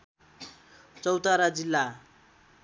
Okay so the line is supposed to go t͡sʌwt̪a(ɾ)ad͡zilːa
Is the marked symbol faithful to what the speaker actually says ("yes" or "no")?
yes